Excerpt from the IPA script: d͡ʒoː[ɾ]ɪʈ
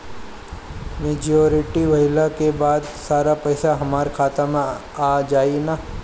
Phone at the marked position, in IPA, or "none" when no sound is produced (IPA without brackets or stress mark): ɾ